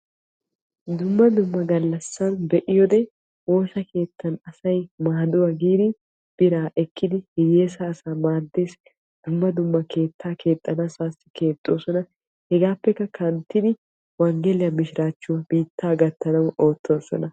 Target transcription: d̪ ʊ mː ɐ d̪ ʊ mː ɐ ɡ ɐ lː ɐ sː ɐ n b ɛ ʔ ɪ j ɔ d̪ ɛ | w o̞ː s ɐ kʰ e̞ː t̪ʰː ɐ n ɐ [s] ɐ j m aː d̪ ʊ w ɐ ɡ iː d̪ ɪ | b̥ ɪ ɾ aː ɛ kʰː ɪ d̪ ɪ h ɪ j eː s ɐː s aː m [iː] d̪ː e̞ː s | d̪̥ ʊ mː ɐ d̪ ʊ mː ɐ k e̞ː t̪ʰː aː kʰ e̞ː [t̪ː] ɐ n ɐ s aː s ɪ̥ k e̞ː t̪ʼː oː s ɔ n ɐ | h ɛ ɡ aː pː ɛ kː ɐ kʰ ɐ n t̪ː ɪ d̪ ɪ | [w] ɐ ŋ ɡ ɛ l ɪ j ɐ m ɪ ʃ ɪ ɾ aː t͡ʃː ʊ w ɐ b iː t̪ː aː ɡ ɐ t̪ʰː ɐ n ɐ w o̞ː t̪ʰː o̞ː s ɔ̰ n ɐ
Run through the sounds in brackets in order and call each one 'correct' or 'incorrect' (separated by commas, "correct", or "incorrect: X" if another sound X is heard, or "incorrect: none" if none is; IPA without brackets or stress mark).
correct, incorrect: aː, incorrect: t̪ʼː, correct